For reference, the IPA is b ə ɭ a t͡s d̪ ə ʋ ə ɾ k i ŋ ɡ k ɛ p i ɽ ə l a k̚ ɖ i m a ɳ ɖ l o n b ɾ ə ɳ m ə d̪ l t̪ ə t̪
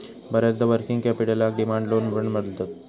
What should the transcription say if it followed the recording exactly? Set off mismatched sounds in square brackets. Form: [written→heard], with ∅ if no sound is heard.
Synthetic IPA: b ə [ɭ→ɾ] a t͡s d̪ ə ʋ ə ɾ k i ŋ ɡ k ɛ p i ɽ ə l a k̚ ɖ i m a ɳ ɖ l o n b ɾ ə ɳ m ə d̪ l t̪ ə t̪